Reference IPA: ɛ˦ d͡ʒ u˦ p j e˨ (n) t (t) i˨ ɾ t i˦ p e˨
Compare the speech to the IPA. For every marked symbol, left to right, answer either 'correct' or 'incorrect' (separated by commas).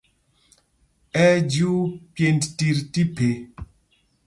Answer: correct, correct